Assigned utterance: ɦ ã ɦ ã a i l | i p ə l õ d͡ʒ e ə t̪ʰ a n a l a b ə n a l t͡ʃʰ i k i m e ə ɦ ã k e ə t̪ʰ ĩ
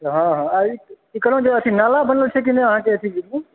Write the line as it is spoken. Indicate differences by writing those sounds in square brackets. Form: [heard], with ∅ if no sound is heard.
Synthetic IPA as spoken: ɦ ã ɦ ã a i [∅] | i [k] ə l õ d͡ʒ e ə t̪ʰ [i] n a l a b ə n [ə] l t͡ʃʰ [ɛ] k i [n] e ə ɦ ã k e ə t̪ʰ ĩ